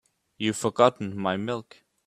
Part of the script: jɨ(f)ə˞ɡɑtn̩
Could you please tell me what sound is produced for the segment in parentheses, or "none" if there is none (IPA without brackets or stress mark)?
f